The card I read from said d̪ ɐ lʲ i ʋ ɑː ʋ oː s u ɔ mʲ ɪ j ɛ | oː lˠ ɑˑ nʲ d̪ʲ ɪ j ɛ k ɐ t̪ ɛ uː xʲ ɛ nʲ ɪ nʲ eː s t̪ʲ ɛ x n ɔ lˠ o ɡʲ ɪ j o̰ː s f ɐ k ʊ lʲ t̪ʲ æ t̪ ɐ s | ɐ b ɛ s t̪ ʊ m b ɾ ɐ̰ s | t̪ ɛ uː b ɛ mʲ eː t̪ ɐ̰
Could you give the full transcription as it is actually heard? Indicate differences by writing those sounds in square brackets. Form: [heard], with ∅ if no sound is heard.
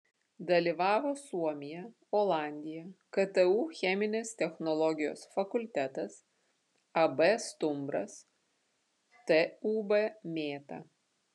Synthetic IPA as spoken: d̪ ɐ lʲ i ʋ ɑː ʋ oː s u ɔ mʲ ɪ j ɛ | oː lˠ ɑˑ nʲ d̪ʲ ɪ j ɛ k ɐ t̪ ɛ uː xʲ ɛ [mʲ] ɪ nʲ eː s t̪ʲ ɛ x n ɔ lˠ [ɔ] ɡʲ ɪ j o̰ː s f ɐ k ʊ lʲ t̪ʲ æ t̪ ɐ s | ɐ b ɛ s t̪ ʊ m b ɾ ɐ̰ s | t̪ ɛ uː b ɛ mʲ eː t̪ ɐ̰